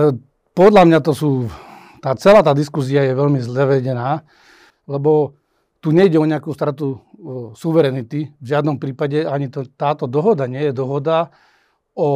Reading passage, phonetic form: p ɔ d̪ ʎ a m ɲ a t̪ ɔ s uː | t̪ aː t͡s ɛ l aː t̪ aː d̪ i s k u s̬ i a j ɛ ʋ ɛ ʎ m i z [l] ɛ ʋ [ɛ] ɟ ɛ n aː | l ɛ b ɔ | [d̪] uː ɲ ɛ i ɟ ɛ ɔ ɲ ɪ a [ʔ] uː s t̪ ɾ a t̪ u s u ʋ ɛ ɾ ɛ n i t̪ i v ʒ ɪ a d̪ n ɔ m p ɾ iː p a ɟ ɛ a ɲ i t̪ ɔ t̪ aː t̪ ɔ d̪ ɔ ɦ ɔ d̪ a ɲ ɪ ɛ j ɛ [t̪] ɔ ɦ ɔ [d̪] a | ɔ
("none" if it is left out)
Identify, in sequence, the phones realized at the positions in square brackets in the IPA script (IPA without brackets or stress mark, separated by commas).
l, ɛ, t̪, k, d̪, d̪